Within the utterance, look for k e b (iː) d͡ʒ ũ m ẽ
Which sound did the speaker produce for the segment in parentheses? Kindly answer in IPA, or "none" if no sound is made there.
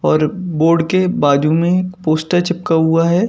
aː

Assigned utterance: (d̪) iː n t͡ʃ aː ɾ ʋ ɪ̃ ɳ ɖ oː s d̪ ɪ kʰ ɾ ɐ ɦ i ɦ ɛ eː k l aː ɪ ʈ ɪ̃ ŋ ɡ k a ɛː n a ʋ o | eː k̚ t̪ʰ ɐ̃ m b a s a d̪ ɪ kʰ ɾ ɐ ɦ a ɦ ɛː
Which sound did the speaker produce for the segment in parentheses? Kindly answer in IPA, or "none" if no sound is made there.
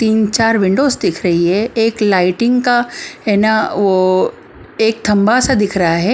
t̪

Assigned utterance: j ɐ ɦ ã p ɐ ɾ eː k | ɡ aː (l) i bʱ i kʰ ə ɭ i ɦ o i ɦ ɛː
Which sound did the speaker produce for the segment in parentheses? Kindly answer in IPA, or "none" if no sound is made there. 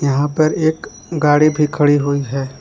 ɽ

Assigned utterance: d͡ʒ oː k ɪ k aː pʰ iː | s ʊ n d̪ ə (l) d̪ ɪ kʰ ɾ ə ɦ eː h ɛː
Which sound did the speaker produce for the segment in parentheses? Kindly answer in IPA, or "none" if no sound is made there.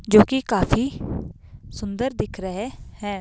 ɾ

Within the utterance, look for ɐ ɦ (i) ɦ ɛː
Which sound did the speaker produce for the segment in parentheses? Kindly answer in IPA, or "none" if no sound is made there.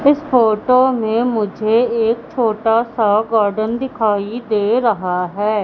a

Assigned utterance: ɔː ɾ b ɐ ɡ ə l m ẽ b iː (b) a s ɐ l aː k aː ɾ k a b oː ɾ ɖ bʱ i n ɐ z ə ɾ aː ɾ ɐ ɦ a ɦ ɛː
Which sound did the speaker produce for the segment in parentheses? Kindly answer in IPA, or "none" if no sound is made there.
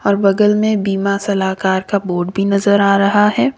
m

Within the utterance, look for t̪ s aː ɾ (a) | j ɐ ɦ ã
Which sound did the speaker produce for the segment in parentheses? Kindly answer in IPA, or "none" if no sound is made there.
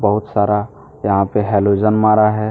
a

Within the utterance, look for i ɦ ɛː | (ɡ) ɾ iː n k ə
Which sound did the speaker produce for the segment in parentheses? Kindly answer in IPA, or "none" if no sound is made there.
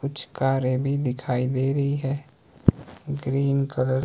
ɡ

